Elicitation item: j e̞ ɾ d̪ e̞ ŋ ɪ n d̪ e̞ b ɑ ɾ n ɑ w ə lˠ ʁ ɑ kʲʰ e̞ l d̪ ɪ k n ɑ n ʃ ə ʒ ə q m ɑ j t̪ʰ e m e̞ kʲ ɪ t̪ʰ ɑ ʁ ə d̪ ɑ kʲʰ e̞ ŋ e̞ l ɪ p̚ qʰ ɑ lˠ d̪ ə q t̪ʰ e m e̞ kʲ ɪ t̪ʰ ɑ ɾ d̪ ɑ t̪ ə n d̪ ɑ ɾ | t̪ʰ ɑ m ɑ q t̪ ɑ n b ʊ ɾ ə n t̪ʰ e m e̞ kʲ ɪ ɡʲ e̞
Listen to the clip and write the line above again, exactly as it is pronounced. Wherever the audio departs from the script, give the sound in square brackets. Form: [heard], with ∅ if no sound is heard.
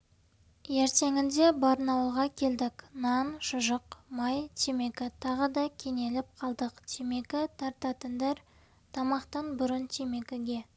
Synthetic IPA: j e̞ ɾ [t̪] e̞ ŋ ɪ n d̪ e̞ b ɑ ɾ n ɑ w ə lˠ ʁ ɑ kʲʰ e̞ l d̪ ɪ k n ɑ n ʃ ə ʒ ə q m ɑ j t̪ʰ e m e̞ kʲ ɪ t̪ʰ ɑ ʁ ə d̪ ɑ kʲʰ e̞ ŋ e̞ l ɪ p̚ qʰ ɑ lˠ d̪ ə q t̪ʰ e m e̞ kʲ ɪ t̪ʰ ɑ ɾ [t̪] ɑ t̪ ə n d̪ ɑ ɾ | t̪ʰ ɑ m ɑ q t̪ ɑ n b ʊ ɾ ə n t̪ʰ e m e̞ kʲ ɪ ɡʲ e̞